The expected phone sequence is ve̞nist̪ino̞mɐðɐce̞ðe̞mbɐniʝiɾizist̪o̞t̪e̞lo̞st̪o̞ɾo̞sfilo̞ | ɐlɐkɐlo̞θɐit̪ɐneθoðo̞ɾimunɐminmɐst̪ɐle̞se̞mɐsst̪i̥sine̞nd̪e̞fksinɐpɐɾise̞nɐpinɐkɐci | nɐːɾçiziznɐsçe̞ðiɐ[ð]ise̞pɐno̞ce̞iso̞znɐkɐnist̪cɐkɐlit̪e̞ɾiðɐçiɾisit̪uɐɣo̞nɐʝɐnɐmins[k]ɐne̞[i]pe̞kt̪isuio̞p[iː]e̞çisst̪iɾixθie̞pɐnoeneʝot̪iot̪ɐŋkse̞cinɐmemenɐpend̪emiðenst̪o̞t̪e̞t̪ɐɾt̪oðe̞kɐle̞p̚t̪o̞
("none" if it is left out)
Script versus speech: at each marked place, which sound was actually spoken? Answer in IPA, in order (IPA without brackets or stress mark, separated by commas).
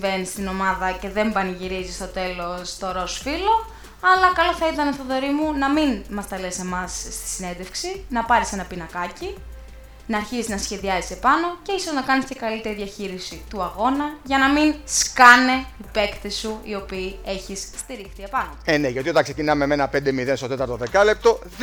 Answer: z, k, i, iː